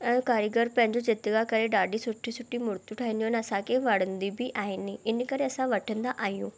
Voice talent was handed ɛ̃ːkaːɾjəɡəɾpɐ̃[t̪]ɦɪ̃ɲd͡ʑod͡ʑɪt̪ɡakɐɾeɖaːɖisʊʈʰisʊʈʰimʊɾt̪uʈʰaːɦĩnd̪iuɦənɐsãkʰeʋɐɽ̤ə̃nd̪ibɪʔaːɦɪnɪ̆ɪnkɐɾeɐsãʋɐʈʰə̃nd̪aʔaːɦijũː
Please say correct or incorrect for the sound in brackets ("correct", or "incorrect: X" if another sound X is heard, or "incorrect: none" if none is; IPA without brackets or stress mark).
incorrect: none